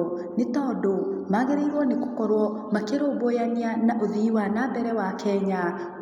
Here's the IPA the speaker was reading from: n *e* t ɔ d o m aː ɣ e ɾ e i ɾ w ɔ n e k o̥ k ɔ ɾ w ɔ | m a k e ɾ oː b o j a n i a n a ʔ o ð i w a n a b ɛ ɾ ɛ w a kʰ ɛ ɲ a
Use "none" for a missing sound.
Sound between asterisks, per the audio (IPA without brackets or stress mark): e